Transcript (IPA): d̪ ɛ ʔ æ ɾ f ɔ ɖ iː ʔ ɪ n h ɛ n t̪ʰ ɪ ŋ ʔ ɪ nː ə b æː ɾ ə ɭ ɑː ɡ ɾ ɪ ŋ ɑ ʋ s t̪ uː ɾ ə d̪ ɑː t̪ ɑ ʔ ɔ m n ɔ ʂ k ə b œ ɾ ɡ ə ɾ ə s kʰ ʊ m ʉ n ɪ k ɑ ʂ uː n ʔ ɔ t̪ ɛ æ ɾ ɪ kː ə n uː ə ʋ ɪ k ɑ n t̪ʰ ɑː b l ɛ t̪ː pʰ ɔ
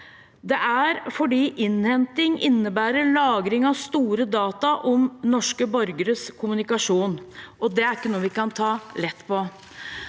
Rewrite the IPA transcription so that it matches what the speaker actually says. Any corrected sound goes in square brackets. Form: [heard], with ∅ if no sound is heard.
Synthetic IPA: d̪ ɛ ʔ æ ɾ f ɔ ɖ iː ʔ ɪ n h ɛ n [t̪] ɪ ŋ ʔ ɪ nː ə b æː ɾ ə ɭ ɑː ɡ ɾ ɪ ŋ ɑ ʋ s t̪ uː ɾ ə d̪ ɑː t̪ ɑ ʔ ɔ m n ɔ ʂ k ə b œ ɾ ɡ ə ɾ ə s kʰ ʊ m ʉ n ɪ k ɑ ʂ uː n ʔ ɔ [d̪] ɛ æ ɾ ɪ kː ə n uː ə ʋ ɪ k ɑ n t̪ʰ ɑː [∅] l ɛ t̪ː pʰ ɔ